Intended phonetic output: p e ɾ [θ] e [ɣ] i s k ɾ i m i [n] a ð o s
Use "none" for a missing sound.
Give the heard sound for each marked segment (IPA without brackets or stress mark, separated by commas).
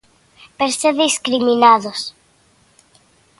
s, ð, n